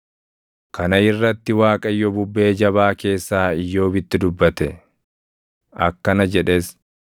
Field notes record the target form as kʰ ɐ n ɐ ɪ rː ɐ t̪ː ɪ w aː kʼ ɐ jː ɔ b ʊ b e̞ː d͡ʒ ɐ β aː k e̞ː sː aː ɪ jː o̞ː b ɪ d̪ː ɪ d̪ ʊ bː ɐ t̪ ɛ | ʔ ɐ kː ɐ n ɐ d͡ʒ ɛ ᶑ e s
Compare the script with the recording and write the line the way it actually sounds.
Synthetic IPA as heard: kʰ ɐ n ɐ ɪ rː ɐ t̪ː ɪ w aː kʼ ɐ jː ɔ b ʊ bː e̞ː d͡ʒ ɐ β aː k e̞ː sː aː ɪ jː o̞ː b ɪ t̪ː ɪ d̪ ʊ bː ɐ t̪ ɛ | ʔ ɐ kː ɐ n ɐ d͡ʒ ɛ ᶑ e s

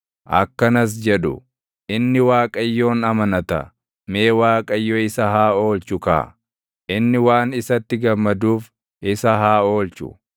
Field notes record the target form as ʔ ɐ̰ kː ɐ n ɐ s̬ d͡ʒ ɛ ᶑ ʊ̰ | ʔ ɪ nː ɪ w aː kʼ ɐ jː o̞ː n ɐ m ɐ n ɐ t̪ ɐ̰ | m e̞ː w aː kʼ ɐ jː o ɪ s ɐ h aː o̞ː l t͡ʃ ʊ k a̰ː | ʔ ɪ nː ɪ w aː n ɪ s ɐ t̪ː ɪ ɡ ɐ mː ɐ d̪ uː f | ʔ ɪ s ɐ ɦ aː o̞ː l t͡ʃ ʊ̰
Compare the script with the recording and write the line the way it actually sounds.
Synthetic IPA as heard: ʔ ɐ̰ kː ɐ n ɐ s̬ d͡ʒ ɛ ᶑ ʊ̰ | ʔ ɪ nː ɪ w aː kʼ ɐ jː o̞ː n ɐ m ɐ n ɐ t̪ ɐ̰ | m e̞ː w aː kʼ ɐ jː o ɪ s ɐ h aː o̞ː l t͡ʃ ʊ k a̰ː | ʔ ɪ nː ɪ w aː n ɪ s ɐ t̪ː ɪ ɡ ɐ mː ɐ d̪ uː f | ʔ ɪ s ɐ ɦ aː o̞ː l t͡ʃ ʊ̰

